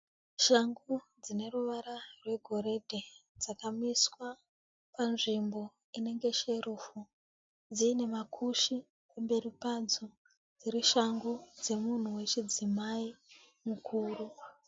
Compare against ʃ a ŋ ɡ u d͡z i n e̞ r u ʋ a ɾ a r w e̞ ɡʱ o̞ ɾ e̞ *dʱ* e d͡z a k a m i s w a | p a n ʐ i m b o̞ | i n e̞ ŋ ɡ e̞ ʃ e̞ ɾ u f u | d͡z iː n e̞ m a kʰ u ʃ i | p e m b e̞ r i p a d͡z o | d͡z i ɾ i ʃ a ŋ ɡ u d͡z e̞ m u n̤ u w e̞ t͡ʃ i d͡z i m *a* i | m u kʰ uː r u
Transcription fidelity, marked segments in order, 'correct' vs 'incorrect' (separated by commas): correct, correct